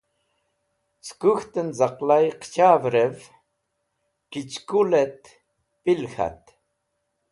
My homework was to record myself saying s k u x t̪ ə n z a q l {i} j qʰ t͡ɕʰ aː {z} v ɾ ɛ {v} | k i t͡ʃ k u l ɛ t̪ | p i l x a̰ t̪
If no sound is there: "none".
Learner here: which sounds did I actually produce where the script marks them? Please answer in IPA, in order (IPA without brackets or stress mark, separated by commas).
a, none, v